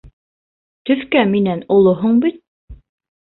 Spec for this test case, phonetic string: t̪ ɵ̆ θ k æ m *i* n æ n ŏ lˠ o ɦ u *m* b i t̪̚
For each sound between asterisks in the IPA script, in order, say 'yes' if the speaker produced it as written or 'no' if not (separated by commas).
yes, no